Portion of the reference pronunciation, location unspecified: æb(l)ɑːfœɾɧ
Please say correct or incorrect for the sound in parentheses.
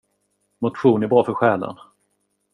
incorrect